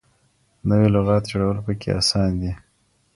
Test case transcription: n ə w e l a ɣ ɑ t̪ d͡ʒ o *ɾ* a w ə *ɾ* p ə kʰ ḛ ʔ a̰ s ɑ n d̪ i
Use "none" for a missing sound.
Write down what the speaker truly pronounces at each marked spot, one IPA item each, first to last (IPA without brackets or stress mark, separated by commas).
ɽ, l